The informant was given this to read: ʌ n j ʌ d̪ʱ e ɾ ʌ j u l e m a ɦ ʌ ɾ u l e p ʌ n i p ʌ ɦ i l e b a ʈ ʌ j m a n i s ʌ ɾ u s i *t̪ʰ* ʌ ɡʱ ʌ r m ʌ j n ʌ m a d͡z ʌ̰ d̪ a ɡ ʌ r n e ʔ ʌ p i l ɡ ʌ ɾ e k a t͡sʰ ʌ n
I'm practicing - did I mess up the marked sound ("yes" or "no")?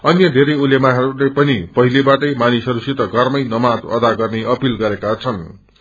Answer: yes